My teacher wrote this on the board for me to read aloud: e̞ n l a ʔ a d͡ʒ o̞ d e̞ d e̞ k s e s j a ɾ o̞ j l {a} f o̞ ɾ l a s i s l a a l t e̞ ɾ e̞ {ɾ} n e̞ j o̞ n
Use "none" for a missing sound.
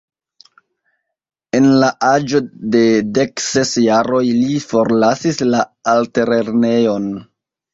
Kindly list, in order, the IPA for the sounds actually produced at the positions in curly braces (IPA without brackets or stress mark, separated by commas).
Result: i, ɾ